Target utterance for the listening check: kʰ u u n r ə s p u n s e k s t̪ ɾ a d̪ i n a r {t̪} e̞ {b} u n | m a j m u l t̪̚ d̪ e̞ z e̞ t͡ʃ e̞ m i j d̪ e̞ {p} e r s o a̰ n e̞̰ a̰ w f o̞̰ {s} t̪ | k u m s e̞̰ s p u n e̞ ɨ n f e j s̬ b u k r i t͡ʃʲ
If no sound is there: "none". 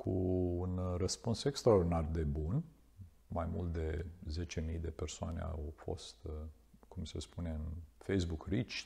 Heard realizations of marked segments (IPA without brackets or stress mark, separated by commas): d̪, b, p, s